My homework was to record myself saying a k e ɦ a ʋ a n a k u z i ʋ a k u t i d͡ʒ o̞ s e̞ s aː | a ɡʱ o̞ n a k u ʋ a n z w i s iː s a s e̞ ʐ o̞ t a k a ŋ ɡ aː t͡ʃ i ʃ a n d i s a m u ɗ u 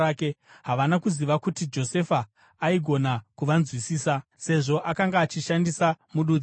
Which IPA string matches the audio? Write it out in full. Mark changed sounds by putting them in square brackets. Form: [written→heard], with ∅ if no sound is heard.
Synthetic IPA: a k e ɦ a ʋ a n a k u z i ʋ a k u t i d͡ʒ o̞ s e̞ [s→f] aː | [a→i] ɡʱ o̞ n a k u ʋ a n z w i s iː s a s e̞ ʐ o̞ [t→ʔ] a k a ŋ ɡ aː t͡ʃ i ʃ a n d i s a m u ɗ u